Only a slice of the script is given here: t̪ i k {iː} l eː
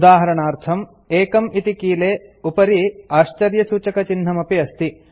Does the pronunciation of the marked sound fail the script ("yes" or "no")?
no